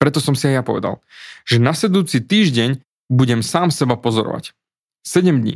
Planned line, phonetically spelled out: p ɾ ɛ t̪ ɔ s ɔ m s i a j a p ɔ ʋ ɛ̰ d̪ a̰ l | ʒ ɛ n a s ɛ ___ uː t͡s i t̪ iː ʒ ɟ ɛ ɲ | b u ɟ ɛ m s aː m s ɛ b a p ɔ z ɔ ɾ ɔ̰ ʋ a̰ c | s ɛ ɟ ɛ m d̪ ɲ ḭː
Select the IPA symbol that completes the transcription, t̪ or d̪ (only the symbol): d̪